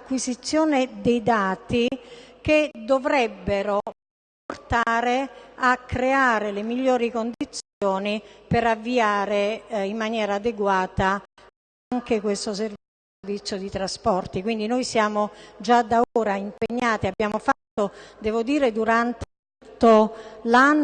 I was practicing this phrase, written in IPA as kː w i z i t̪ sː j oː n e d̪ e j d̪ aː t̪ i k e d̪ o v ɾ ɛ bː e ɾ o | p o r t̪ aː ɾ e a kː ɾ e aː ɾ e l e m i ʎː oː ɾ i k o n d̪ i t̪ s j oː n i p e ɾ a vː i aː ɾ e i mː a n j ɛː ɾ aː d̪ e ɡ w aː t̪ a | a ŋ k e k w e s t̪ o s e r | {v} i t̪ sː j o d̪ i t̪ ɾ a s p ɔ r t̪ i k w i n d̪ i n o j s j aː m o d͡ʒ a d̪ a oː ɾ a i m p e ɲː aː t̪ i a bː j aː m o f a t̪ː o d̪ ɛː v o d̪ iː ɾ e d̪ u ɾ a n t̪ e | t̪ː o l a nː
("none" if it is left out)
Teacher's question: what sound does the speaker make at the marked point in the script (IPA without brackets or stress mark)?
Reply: v